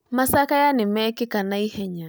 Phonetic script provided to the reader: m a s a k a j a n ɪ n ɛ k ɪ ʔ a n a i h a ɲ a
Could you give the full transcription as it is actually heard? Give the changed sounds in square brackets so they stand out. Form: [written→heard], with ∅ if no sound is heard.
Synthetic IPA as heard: m a s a k a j a n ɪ [n→m] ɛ k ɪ [ʔ→k] a n a i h [a→ɛ] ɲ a